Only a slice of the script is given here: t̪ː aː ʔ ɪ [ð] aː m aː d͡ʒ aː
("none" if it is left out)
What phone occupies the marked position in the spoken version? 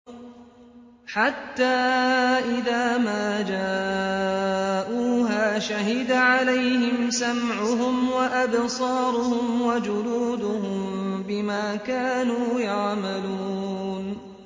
ð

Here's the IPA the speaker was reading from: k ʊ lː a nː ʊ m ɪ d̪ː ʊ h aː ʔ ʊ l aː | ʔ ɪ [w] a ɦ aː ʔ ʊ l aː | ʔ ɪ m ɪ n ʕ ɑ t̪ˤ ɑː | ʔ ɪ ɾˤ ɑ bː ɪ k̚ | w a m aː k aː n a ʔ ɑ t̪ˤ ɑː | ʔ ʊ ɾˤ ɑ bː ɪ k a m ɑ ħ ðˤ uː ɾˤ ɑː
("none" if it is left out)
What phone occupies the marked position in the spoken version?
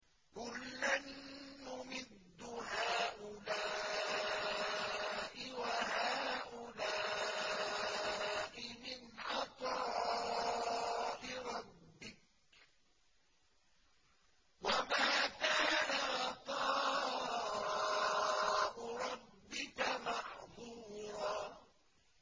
w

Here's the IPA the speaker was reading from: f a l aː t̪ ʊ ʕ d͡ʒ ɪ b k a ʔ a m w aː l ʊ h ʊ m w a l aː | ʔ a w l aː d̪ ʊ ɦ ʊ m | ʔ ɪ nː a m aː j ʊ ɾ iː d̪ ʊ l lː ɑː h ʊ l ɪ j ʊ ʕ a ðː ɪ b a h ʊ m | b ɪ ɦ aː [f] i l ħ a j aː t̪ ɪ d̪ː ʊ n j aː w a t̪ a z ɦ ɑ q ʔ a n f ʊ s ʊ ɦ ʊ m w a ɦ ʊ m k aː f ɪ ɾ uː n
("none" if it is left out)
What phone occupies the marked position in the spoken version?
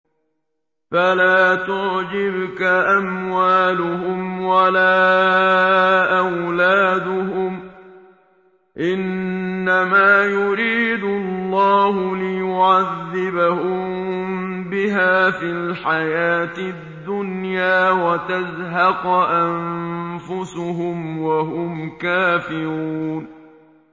f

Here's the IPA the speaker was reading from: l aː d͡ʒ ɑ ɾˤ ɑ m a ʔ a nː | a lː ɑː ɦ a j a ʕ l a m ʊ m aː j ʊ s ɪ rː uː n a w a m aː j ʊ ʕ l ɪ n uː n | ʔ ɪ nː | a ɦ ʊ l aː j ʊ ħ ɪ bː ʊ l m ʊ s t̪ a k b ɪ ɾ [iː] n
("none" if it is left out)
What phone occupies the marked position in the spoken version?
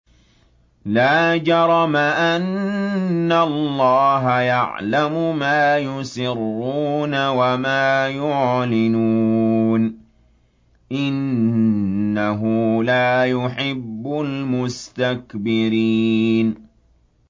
iː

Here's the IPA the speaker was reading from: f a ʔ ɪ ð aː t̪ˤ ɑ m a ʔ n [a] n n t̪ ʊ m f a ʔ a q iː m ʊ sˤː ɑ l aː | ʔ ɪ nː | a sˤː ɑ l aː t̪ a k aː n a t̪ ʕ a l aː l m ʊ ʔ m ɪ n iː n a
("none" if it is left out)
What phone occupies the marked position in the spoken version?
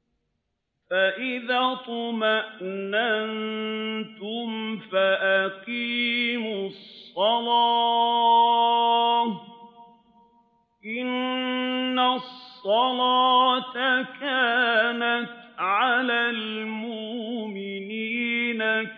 a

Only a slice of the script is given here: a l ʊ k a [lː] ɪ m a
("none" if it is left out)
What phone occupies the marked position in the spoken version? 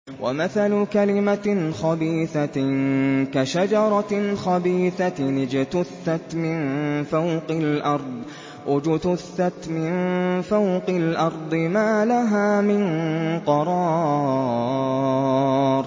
l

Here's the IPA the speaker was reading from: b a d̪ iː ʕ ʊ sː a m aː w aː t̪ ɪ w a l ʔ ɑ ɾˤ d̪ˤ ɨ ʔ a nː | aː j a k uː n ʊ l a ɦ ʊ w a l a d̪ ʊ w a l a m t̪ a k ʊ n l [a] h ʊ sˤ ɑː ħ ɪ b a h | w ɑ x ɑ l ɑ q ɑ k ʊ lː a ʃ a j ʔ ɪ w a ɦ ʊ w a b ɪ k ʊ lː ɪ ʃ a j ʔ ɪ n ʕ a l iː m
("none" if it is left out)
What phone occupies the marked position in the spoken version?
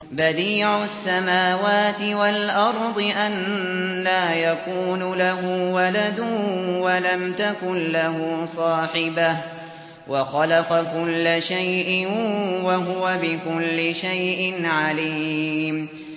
a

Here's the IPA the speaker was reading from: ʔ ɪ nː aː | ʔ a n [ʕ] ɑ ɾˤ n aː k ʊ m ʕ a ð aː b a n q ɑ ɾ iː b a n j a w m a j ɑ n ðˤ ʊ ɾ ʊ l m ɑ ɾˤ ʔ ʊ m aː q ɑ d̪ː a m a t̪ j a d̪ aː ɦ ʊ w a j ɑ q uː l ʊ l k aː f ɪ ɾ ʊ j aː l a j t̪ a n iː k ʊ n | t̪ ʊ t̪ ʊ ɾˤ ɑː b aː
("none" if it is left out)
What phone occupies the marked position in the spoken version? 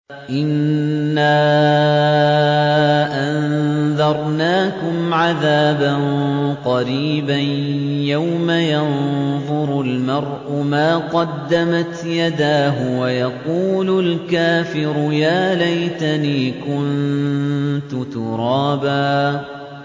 ð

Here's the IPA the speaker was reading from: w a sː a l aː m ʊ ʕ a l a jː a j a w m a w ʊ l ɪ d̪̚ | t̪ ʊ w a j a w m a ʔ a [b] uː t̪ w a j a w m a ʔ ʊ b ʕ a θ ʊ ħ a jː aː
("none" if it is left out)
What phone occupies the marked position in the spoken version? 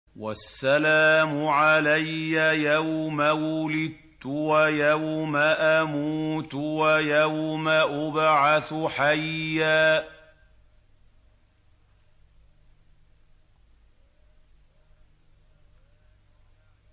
m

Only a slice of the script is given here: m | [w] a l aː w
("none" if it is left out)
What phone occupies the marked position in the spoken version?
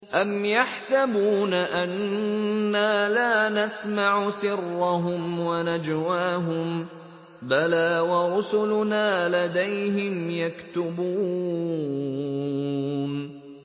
b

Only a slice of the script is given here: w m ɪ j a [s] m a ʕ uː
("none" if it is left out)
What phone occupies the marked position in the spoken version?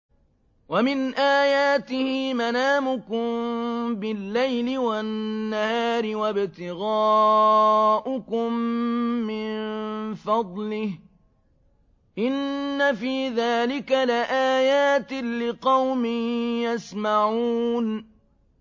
s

